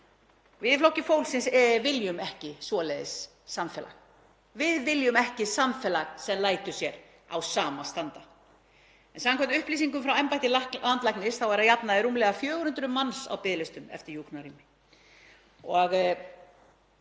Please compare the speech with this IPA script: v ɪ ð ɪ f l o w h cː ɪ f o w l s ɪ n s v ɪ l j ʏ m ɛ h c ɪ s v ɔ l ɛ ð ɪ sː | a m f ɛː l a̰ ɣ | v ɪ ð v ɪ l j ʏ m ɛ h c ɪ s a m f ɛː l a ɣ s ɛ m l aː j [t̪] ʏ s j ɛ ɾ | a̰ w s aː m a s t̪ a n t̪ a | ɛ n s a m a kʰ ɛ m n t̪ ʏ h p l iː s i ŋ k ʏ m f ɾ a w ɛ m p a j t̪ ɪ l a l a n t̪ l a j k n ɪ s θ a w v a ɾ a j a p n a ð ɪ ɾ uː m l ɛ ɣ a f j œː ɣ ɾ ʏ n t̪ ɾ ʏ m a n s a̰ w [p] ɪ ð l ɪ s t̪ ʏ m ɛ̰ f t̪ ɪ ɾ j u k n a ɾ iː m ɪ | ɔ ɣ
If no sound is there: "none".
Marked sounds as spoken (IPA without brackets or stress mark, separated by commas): t̪, p